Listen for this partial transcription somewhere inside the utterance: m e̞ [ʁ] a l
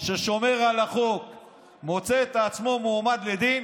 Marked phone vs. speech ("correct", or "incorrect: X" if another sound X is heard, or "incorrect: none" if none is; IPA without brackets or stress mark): correct